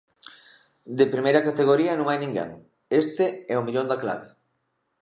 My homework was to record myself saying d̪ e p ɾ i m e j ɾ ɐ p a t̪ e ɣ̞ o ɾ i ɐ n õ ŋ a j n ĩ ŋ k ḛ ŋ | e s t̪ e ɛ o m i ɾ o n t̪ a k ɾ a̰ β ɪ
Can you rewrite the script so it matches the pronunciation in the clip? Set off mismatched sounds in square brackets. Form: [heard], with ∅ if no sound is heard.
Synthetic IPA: d̪ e p ɾ i m e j ɾ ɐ [k] a t̪ e ɣ̞ o ɾ i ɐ n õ ŋ a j n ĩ ŋ [ɡ] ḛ ŋ | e s t̪ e ɛ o m i [ʎ] o n [d̪] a k [l] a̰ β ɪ